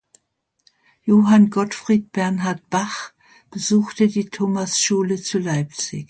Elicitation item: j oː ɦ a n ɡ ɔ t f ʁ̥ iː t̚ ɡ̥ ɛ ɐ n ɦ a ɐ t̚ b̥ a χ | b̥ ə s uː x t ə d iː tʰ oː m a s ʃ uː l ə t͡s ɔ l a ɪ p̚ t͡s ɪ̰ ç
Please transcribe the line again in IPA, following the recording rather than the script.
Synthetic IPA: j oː ɦ a n ɡ ɔ t f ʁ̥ iː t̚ b̥ ɛ ɐ n ɦ a ɐ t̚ b̥ a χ | b̥ ə z uː x t ə d iː tʰ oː m a s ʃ uː l ə t͡s u l a ɪ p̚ t͡s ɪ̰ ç